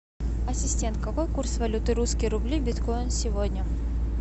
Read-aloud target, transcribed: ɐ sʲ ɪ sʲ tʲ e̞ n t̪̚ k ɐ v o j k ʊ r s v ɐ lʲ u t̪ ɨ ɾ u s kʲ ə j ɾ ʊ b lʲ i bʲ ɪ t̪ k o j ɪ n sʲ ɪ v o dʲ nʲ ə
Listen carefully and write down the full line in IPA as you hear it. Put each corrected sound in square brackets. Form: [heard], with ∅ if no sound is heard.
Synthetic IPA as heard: ɐ sʲ ɪ sʲ tʲ e̞ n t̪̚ k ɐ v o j k [u] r s v ɐ lʲ u t̪ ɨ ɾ u s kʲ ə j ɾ ʊ b lʲ i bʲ ɪ t̪ k o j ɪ n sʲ ɪ v o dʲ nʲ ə